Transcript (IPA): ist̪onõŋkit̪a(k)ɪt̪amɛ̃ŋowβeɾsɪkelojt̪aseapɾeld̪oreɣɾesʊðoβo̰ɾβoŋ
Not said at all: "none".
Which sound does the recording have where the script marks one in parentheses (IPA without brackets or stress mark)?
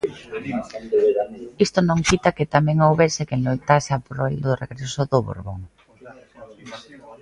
k